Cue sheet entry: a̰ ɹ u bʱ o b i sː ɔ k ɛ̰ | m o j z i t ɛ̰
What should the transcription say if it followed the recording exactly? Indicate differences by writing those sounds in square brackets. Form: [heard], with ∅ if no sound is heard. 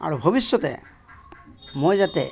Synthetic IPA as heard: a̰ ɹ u bʱ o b i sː ɔ [t] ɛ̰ | m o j z [a] t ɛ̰